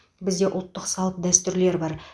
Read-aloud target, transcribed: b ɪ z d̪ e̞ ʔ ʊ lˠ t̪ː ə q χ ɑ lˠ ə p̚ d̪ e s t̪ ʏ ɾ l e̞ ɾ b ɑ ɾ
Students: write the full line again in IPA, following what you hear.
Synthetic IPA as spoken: b ɪ z d̪ e̞ ʔ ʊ lˠ t̪ː ə q s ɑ lˠ ə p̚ d̪ æ s t̪ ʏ ɾ l e̞ ɾ b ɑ ɾ